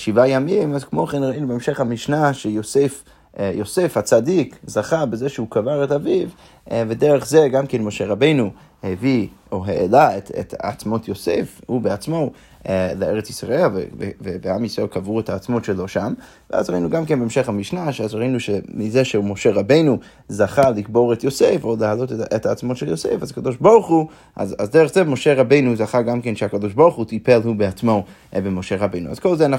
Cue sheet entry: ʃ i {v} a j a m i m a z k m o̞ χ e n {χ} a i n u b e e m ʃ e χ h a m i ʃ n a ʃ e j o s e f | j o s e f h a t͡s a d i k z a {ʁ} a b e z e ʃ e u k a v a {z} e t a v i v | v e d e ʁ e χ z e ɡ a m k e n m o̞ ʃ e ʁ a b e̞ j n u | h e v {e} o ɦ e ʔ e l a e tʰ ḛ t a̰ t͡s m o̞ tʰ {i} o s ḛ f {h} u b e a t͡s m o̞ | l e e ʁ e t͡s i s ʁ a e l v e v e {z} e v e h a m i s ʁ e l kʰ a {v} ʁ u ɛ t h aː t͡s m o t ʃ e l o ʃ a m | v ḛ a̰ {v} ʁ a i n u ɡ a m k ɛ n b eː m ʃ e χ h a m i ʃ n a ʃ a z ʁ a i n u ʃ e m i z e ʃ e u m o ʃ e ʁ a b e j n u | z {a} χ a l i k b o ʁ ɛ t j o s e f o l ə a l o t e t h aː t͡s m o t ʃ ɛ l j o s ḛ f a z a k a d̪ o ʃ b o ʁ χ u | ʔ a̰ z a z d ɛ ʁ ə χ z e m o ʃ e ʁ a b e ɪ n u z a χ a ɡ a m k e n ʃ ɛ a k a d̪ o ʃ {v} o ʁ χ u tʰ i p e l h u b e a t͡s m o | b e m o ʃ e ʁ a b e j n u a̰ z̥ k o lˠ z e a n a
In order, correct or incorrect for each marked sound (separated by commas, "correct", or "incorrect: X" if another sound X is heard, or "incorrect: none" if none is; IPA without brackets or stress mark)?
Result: correct, incorrect: ʁ, incorrect: χ, incorrect: ʁ, incorrect: i, incorrect: j, correct, incorrect: v, correct, incorrect: z, correct, incorrect: b